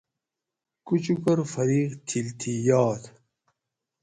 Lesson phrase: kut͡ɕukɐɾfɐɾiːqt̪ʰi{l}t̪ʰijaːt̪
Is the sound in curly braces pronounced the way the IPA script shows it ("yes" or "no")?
yes